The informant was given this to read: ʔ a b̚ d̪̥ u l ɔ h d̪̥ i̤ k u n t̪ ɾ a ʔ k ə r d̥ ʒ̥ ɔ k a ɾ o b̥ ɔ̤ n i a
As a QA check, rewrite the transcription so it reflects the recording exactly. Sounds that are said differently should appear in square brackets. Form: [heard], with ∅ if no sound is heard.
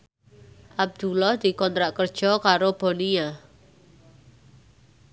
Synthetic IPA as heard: ʔ a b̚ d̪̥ u l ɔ h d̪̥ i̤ k [ɔ] n t̪ ɾ a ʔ k ə r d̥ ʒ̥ ɔ k a ɾ o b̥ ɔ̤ n i a